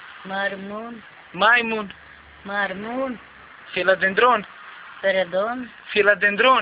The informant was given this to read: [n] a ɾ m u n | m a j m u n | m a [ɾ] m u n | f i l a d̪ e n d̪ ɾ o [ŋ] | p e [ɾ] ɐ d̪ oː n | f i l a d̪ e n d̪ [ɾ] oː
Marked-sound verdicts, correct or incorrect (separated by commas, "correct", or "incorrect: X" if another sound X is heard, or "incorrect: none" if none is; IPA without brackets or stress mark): incorrect: m, correct, incorrect: n, correct, correct